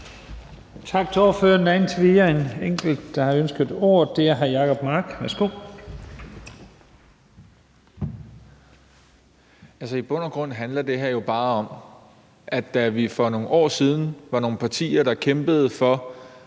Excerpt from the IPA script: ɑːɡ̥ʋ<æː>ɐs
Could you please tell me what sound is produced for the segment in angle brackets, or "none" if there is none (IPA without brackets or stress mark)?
æ